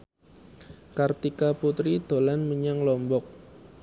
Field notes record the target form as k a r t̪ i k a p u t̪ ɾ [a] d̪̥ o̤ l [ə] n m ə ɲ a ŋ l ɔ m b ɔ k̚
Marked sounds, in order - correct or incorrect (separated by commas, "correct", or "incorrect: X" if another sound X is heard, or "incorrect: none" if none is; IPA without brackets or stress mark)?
incorrect: i, incorrect: a